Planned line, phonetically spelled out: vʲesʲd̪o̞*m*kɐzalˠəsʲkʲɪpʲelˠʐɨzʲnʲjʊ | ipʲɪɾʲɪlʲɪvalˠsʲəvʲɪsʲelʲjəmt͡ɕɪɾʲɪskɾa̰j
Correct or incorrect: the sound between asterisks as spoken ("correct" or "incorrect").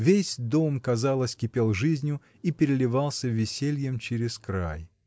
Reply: correct